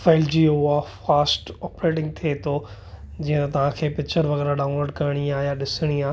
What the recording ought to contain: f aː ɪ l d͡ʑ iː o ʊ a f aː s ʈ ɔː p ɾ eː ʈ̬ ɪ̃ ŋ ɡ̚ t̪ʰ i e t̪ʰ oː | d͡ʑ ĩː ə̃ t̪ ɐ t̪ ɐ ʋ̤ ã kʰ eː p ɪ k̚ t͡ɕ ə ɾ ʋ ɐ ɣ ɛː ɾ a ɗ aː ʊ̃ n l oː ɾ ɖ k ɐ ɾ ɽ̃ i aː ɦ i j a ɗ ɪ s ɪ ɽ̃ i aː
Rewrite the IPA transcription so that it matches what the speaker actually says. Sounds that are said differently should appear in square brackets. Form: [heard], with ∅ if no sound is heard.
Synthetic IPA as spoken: f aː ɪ l d͡ʑ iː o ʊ a f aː s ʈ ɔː p ɾ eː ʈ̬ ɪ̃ ŋ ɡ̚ t̪ʰ i e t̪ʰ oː | d͡ʑ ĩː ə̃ t̪ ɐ t̪ ɐ ʋ̤ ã kʰ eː p ɪ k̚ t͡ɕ ə ɾ ʋ ɐ ɣ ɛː ɾ a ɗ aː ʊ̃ n l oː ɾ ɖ k ɐ ɾ ɽ̃ i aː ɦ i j a ɗ ɪ s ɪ ɽ̃ i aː